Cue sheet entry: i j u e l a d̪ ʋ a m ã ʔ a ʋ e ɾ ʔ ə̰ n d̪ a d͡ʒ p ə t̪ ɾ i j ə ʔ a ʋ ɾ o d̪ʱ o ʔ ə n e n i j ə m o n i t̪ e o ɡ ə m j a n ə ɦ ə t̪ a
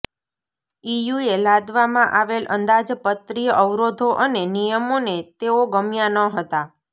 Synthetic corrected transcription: i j u e l a d̪ ʋ a m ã ʔ a ʋ e l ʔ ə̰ n d̪ a d͡ʒ p ə t̪ ɾ i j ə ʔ ə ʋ ɾ o d̪ʱ o ʔ ə n e n i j ə m o n e t̪ e o ɡ ə m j a n ə ɦ ə t̪ a